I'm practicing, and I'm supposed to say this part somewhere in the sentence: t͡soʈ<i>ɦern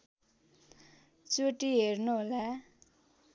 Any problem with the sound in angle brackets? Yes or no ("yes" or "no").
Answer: no